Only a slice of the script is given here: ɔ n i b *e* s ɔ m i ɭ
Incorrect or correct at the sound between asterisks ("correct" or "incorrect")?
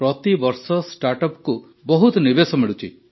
correct